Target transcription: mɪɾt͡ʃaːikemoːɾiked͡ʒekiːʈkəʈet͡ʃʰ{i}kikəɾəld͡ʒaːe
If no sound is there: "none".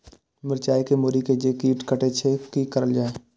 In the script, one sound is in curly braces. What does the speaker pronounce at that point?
e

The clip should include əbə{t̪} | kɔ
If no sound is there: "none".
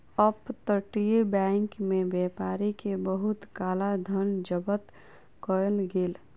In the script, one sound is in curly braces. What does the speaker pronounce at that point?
t̪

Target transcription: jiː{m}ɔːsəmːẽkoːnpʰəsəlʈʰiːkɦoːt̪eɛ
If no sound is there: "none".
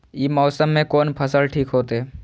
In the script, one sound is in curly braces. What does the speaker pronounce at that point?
m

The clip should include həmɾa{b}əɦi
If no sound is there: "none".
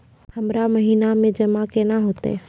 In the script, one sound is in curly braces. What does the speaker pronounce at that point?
m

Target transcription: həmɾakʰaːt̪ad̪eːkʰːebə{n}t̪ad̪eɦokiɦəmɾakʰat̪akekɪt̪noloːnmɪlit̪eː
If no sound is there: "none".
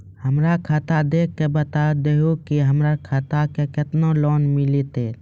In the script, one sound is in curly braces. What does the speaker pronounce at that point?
none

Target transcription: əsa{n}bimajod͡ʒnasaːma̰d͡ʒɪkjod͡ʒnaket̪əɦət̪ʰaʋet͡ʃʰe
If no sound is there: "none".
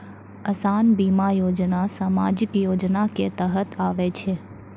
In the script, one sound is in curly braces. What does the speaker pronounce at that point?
n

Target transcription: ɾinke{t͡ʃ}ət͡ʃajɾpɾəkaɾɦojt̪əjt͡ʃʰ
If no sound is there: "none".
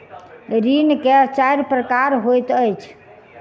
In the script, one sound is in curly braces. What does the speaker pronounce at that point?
none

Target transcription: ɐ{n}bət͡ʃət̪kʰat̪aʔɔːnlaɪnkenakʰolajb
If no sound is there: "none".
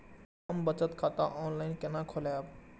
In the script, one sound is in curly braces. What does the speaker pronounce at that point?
m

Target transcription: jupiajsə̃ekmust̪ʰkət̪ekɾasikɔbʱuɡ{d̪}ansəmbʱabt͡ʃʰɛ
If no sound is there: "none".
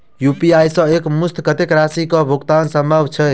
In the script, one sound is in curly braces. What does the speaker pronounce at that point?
t̪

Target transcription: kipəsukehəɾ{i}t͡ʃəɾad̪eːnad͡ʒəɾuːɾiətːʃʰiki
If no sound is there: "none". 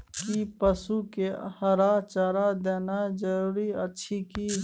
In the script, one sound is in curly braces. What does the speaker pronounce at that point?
a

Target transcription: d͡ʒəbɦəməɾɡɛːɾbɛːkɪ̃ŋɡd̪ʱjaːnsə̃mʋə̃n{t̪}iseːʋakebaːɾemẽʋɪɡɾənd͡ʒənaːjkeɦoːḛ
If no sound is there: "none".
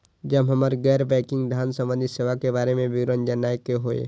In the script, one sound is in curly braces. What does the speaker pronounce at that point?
d̪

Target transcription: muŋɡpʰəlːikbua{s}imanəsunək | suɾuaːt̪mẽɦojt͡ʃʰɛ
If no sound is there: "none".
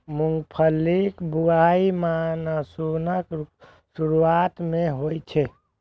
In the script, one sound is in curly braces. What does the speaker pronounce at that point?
none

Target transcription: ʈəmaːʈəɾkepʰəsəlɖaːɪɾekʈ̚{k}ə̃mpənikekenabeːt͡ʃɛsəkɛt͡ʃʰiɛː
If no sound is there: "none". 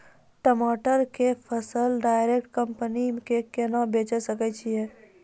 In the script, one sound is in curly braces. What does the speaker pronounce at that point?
k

